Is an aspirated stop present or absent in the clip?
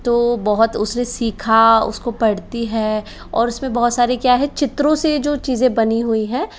present